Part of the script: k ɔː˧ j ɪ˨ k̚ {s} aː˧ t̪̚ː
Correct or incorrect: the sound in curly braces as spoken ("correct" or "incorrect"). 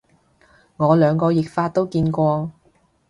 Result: incorrect